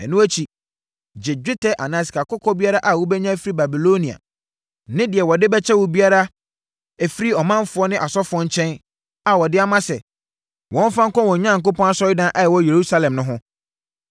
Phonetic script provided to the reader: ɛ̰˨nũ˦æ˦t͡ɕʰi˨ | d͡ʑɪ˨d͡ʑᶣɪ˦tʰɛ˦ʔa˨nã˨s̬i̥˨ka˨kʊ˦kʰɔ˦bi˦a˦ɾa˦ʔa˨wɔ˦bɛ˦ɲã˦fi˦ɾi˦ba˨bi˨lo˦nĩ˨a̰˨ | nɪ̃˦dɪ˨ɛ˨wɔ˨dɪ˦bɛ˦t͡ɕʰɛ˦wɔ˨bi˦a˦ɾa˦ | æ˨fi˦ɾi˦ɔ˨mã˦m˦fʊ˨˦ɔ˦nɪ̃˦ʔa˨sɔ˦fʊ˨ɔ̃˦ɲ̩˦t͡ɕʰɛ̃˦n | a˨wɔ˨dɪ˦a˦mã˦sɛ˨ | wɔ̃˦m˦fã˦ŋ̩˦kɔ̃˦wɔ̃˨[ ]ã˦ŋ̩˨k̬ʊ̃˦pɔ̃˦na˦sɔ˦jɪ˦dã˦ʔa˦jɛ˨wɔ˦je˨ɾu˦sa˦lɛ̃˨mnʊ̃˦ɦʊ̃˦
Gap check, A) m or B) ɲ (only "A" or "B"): B